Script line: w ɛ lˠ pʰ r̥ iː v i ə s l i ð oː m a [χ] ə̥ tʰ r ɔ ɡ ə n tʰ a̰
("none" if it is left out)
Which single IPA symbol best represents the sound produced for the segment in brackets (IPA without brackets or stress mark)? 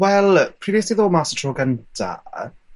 s